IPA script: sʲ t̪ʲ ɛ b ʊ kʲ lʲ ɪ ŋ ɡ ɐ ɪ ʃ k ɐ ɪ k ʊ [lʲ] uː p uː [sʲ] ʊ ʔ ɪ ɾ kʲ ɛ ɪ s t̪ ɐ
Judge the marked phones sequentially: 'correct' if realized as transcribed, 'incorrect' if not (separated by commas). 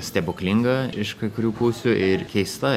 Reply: incorrect, correct